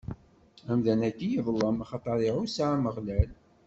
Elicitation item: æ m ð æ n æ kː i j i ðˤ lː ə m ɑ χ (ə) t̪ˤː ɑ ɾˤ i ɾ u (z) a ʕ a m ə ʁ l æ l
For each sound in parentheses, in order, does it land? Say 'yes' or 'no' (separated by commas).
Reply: no, no